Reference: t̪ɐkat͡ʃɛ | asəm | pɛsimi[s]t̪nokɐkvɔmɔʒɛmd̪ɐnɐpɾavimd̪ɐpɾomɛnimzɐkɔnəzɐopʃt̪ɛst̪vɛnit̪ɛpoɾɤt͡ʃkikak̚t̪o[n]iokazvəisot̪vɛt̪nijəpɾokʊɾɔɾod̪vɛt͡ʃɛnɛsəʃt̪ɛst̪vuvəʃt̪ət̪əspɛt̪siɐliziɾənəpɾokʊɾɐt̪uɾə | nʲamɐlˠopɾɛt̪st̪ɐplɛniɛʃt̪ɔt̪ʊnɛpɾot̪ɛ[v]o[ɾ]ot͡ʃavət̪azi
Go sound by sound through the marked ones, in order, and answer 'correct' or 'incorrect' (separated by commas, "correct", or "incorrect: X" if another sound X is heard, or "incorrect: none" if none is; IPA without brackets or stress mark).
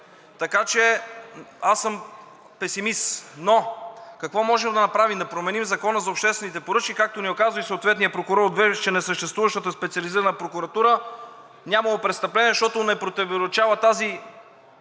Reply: correct, correct, correct, correct